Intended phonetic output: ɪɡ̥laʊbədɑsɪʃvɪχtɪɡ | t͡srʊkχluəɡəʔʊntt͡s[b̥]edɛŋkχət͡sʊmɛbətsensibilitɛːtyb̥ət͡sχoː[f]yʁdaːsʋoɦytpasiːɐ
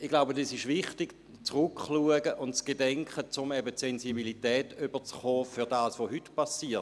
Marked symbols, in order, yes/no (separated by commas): no, yes